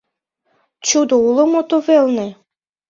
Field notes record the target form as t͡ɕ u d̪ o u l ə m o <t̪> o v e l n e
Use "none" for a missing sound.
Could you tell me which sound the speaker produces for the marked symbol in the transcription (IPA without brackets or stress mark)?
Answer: t̪